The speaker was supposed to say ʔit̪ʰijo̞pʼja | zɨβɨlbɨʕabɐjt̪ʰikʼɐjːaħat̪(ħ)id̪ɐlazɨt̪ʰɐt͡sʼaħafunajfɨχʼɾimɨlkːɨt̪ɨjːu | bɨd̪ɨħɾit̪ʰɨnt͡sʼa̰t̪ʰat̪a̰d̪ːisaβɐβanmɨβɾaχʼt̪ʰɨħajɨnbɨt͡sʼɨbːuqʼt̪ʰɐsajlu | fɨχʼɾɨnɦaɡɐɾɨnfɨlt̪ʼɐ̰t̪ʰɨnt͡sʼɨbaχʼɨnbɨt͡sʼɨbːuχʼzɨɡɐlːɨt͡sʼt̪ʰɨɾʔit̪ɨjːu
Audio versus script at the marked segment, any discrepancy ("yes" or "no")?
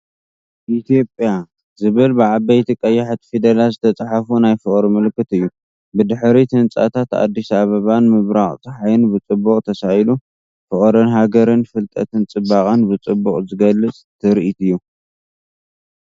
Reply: yes